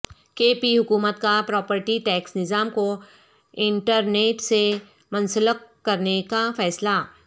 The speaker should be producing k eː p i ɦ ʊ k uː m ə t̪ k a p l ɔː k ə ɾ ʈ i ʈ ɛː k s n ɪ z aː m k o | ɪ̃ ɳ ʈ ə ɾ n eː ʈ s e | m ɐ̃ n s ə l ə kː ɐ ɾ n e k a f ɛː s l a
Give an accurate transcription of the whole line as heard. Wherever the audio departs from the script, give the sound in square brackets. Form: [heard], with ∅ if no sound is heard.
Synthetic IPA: k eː p i ɦ ʊ k uː m ə t̪ k a p [ɾ] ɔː [p] ə ɾ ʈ i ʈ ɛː k s n ɪ z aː m k o | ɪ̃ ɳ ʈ ə ɾ n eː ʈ s e | m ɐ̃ n s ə l ə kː ɐ ɾ n e k a f ɛː s l a

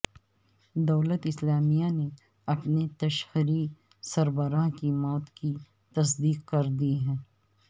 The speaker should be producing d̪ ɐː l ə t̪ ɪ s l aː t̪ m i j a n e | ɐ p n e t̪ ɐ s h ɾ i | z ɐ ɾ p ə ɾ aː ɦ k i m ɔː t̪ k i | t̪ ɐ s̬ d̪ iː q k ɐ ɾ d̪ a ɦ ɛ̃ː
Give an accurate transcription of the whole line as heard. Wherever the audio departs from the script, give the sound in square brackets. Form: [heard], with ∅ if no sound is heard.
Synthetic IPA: d̪ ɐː l ə t̪ ɪ s l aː [∅] m i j a n e | ɐ p n e t̪ ɐ [ʃ] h ɾ i | [s] ɐ ɾ [b] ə ɾ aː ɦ k i m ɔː t̪ k i | t̪ ɐ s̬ d̪ iː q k ɐ ɾ d̪ [i] ɦ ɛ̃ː

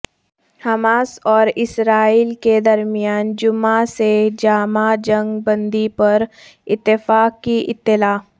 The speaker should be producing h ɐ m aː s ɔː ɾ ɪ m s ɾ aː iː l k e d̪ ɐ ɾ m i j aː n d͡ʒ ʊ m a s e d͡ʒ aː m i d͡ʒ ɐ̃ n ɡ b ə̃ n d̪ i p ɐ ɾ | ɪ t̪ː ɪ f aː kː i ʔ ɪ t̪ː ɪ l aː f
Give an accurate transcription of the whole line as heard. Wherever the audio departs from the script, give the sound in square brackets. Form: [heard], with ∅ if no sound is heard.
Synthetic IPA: h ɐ m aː s ɔː ɾ ɪ [∅] s ɾ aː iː l k e d̪ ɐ ɾ m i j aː n d͡ʒ ʊ m a s e d͡ʒ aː m [a] d͡ʒ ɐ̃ [ŋ] ɡ b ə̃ n d̪ i p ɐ ɾ | ɪ t̪ː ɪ f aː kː i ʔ ɪ t̪ː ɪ l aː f

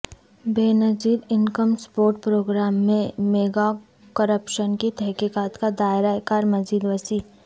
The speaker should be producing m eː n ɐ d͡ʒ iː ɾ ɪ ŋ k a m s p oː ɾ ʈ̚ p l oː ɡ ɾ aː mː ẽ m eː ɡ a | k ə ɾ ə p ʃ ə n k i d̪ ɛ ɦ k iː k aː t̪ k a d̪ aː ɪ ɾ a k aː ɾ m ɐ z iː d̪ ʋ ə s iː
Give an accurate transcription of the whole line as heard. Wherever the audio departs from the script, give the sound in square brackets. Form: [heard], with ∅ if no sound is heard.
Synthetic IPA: [b] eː n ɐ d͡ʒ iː ɾ ɪ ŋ k [ə] m s p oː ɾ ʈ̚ p [ɾ] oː ɡ ɾ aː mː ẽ m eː ɡ a | k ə ɾ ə p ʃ ə n k i [t̪] ɛ ɦ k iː k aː t̪ k a d̪ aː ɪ ɾ a k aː ɾ m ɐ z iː d̪ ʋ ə s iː

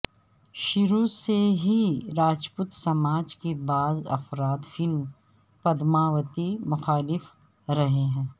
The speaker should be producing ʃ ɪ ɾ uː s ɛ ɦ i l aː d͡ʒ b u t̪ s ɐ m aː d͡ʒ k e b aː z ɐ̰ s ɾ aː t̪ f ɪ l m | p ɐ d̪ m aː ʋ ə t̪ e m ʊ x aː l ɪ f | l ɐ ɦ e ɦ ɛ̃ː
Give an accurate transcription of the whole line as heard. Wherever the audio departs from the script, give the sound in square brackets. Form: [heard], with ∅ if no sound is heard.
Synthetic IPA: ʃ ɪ ɾ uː s [e] ɦ i [ɾ] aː d͡ʒ [p] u t̪ s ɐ m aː d͡ʒ k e b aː z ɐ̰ [f] ɾ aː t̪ f ɪ l m | p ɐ d̪ m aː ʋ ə t̪ [i] m ʊ x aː l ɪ f | [ɾ] ɐ ɦ e ɦ ɛ̃ː

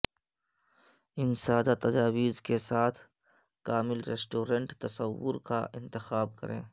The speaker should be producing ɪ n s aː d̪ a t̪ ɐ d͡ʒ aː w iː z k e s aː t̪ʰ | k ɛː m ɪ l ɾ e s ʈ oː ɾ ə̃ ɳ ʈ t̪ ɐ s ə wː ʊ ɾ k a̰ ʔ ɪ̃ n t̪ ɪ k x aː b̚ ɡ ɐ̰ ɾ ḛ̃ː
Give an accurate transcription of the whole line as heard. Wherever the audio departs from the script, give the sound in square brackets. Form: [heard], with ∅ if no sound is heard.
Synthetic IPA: ɪ n s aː d̪ a t̪ ɐ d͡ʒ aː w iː z k e s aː t̪ʰ | k [aː] m ɪ l ɾ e s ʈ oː ɾ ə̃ ɳ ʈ t̪ ɐ s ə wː ʊ ɾ k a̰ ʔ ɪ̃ n t̪ ɪ [∅] x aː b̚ [k] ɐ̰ ɾ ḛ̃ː

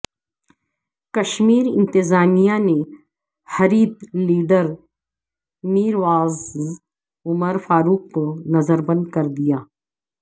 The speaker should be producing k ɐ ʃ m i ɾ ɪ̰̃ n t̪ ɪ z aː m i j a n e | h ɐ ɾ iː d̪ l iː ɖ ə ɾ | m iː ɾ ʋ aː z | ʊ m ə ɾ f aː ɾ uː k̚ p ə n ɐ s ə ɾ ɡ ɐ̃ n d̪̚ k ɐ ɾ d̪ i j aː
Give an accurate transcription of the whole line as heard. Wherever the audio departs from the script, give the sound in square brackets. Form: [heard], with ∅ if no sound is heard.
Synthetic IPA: k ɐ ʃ m [iː] ɾ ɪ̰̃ n t̪ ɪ z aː m i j a n e | h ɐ ɾ iː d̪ l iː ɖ ə ɾ | m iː ɾ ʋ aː z | ʊ m ə ɾ f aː ɾ uː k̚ p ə n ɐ [z] ə ɾ [b] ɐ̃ n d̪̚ k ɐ ɾ d̪ i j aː

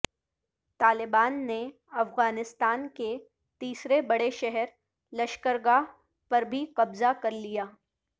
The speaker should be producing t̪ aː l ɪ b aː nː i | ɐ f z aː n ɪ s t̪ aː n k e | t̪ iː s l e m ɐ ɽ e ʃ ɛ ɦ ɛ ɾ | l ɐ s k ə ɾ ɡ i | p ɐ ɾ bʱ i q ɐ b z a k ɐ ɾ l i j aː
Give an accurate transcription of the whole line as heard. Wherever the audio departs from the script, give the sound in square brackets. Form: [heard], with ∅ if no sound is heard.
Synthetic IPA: t̪ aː l ɪ b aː nː [e] | ɐ f [ɣ] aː n ɪ s t̪ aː n k e | t̪ iː s [ɾ] e [b] ɐ ɽ e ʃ ɛ ɦ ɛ ɾ | l ɐ [ʃ] k ə ɾ ɡ [a] | p ɐ ɾ bʱ i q ɐ b z a k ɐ ɾ l i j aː

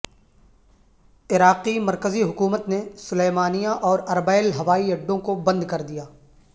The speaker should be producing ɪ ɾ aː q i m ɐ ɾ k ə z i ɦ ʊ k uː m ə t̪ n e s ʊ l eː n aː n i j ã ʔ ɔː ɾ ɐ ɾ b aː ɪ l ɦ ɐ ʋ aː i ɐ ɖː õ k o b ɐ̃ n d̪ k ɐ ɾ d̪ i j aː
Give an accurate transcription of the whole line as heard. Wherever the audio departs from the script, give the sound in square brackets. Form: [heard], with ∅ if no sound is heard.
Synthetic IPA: ɪ ɾ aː q i m ɐ ɾ k ə z i ɦ ʊ k uː m ə t̪ n e s ʊ l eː [m] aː n i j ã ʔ ɔː ɾ ɐ ɾ b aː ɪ l ɦ ɐ ʋ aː i ɐ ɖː õ k o b ɐ̃ n d̪ k ɐ ɾ d̪ i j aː

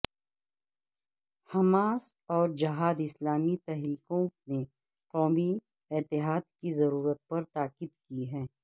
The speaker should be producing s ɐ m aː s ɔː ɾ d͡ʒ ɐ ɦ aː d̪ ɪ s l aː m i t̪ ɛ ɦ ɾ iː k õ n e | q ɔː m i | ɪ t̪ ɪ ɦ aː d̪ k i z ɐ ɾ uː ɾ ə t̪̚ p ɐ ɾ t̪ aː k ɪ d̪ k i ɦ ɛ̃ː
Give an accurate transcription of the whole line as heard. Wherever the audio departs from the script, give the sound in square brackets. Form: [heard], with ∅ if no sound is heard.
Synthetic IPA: [h] ɐ m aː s ɔː ɾ d͡ʒ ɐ ɦ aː d̪ ɪ s l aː m i t̪ ɛ ɦ ɾ iː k õ n e | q ɔː m i | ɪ t̪ ɪ ɦ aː d̪ k i z ɐ ɾ uː ɾ ə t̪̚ p ɐ ɾ t̪ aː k ɪ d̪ k i ɦ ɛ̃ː

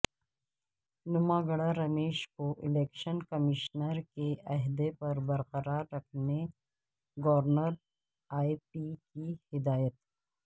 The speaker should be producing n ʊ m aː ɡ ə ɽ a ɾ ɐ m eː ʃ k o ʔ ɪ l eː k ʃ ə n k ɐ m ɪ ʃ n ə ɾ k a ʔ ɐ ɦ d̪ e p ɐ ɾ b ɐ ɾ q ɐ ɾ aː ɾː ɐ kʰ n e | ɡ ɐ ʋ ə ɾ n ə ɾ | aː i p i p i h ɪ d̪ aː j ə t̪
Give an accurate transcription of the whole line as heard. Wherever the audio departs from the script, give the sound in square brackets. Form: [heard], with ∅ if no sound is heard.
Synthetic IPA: n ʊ m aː ɡ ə ɽ a ɾ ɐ m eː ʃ k o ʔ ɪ l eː k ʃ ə n k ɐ m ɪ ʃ n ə ɾ k [e] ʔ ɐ ɦ d̪ e p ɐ ɾ b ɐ ɾ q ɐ ɾ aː ɾː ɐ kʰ n e | ɡ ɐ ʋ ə ɾ n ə ɾ | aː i p i [k] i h ɪ d̪ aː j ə t̪

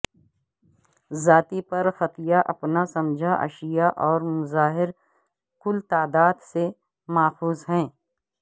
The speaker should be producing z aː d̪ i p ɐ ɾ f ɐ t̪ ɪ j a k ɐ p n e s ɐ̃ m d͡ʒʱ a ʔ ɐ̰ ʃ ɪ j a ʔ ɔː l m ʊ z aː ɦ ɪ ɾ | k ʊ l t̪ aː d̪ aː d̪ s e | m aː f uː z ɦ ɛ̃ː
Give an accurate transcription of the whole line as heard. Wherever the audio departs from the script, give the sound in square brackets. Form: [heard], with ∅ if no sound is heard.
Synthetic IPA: z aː [t̪] i p ɐ ɾ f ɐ t̪ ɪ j a [ʔ] ɐ p n [a] s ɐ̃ m d͡ʒʱ a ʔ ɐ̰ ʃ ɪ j a ʔ ɔː [ɾ] m ʊ z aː ɦ ɪ ɾ | k ʊ l t̪ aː d̪ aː d̪ s e | m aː f uː z ɦ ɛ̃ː

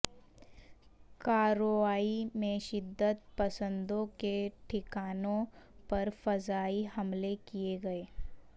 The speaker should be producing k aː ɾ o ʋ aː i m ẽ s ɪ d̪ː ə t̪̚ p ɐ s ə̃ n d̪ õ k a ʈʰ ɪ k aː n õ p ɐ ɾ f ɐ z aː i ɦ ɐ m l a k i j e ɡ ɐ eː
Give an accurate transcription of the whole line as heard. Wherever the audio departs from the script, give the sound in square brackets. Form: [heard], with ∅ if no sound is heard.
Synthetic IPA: k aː ɾ o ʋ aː i m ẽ [ʃ] ɪ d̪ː ə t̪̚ p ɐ s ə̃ n d̪ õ k [e] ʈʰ ɪ k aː n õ p ɐ ɾ f ɐ z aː i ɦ ɐ m l [e] k i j e ɡ ɐ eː

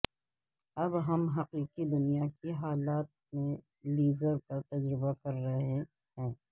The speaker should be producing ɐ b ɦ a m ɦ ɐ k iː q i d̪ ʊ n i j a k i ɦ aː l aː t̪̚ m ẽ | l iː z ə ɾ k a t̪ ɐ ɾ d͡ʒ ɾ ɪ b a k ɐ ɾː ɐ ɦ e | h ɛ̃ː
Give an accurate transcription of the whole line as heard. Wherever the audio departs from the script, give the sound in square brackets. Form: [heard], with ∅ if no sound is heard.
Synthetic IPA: ɐ b ɦ [ɐ] m ɦ ɐ [q] iː q i d̪ ʊ n i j a k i ɦ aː l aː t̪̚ m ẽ | l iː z ə ɾ k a t̪ ɐ [∅] d͡ʒ ɾ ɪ b a k ɐ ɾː ɐ ɦ e | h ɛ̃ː

